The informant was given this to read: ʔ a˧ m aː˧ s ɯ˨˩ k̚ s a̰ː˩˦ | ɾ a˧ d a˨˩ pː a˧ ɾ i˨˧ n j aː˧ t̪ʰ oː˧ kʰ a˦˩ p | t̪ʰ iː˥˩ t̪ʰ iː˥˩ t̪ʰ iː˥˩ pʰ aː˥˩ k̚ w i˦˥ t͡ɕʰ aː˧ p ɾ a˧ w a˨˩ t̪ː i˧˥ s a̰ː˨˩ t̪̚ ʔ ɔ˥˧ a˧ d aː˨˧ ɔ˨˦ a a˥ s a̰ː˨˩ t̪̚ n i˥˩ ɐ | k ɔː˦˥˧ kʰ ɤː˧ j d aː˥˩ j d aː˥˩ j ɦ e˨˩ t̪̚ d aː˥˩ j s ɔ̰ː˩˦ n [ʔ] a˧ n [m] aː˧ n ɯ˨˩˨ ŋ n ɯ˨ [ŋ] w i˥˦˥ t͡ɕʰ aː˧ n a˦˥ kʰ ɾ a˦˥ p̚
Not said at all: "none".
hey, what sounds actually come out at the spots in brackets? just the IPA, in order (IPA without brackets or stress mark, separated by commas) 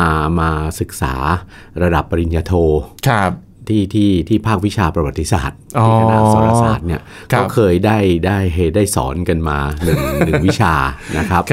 k, m, ŋ